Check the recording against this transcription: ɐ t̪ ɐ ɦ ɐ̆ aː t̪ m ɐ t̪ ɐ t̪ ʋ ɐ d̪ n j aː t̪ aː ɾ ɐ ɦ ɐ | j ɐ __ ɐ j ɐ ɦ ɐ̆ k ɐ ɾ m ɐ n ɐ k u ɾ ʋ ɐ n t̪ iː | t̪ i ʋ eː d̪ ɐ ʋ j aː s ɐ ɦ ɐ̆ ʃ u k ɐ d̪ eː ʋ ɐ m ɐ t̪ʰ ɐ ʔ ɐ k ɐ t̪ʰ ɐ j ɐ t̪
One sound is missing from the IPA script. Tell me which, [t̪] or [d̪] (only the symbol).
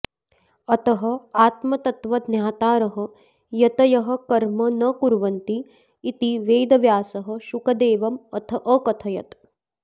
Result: t̪